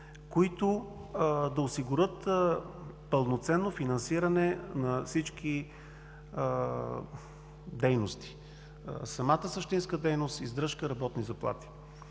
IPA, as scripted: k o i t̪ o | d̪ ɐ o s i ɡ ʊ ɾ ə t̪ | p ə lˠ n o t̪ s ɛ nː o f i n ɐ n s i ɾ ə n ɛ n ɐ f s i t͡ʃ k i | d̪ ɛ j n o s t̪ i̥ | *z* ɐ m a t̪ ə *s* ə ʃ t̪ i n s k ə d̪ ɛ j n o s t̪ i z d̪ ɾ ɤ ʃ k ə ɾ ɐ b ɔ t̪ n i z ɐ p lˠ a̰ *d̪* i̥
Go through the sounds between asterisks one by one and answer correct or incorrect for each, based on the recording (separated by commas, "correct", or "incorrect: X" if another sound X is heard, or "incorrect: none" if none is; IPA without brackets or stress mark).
incorrect: s, correct, incorrect: t̪